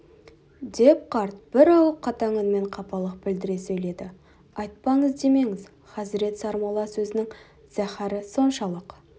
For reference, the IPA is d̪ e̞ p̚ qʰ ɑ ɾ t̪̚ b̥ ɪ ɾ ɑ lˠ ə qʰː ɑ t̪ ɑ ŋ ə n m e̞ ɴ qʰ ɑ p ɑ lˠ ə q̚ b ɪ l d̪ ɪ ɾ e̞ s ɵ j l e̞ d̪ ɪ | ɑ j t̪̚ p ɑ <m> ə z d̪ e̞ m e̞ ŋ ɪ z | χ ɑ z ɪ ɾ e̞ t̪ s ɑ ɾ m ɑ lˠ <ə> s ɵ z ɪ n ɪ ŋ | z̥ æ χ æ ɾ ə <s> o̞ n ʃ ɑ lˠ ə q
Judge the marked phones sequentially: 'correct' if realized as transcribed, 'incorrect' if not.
incorrect, incorrect, correct

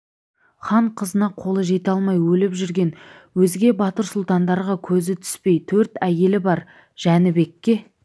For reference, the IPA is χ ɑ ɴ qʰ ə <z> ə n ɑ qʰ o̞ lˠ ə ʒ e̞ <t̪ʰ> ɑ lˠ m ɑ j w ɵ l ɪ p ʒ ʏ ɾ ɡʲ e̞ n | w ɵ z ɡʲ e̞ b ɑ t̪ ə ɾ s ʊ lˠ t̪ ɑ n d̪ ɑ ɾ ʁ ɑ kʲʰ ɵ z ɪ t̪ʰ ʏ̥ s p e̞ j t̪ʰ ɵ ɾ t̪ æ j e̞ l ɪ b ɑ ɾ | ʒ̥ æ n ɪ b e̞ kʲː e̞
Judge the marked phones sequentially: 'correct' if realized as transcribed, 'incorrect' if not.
correct, incorrect

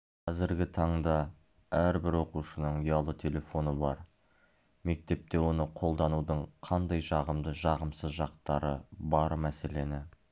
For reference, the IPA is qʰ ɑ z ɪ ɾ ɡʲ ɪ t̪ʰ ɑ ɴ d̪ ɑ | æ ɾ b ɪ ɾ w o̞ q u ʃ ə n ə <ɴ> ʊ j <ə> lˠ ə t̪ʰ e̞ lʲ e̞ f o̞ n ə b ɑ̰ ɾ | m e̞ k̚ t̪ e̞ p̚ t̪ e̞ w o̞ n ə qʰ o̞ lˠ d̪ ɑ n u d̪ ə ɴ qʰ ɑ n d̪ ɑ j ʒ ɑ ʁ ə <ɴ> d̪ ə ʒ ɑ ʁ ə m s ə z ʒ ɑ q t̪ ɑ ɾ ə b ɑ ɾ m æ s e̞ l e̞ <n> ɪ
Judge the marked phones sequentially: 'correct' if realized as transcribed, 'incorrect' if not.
correct, incorrect, incorrect, correct

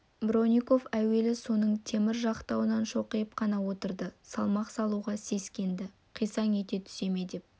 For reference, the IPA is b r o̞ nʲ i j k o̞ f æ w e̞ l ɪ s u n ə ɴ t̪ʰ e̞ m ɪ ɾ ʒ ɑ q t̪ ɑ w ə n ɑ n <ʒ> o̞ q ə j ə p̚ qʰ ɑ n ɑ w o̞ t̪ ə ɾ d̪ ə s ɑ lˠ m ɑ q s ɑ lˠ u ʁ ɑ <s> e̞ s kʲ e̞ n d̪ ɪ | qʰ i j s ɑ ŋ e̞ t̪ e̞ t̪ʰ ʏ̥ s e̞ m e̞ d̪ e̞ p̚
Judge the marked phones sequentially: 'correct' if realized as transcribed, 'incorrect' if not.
incorrect, correct

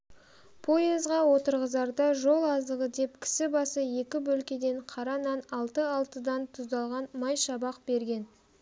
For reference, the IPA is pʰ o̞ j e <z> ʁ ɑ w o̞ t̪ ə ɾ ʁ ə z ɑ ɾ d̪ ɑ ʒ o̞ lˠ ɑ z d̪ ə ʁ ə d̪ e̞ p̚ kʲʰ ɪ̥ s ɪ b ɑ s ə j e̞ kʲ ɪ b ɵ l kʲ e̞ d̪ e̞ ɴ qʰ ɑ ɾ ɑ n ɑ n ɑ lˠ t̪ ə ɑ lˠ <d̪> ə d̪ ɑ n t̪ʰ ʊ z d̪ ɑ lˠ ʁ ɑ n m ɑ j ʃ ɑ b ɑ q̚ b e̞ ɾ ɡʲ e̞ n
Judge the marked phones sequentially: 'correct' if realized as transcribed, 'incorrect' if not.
correct, incorrect

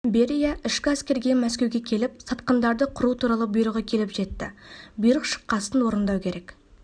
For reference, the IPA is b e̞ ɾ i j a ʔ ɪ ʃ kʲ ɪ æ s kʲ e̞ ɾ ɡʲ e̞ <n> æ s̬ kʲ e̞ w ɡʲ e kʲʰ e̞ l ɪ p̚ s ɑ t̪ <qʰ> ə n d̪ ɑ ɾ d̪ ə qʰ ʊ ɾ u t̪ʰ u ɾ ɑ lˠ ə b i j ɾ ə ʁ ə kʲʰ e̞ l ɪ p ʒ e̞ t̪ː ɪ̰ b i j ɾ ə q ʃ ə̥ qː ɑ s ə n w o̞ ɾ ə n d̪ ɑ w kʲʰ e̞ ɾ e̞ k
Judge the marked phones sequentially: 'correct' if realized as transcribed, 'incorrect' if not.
incorrect, incorrect

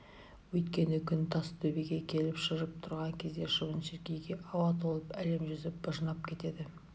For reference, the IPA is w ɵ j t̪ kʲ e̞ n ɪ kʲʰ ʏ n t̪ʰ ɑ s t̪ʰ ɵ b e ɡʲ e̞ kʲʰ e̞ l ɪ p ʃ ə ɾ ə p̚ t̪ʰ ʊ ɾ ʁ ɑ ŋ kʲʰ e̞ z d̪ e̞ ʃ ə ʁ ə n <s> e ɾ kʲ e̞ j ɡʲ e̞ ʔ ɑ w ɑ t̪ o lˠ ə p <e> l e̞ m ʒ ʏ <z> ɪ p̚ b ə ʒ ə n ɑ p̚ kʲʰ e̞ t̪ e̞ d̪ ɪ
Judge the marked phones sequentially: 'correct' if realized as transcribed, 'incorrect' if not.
incorrect, incorrect, correct

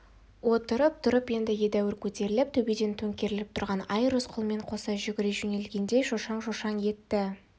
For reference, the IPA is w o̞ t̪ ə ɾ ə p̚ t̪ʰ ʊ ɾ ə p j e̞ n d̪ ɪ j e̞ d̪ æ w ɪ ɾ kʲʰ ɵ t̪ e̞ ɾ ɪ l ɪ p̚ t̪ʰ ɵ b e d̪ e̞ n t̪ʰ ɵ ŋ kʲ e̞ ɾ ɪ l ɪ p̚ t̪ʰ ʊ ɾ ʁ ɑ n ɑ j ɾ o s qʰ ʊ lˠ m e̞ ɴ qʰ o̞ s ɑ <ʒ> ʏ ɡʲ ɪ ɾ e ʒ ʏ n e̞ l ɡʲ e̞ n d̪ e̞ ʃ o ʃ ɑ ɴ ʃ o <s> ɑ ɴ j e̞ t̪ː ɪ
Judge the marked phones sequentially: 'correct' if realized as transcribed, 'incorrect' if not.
correct, incorrect

